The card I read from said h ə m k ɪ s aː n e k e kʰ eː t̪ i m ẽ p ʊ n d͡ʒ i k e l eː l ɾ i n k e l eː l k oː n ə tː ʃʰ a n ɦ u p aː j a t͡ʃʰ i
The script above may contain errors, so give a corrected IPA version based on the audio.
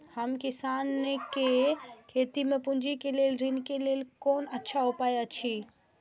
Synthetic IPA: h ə m k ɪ s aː n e k e kʰ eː t̪ i m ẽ p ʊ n d͡ʒ i k e l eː l ɾ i n k e l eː l k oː n ə tː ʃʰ a ɦ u p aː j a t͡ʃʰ i